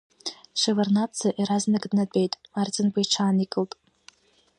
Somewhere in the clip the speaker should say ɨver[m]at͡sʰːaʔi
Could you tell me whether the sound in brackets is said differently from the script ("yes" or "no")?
yes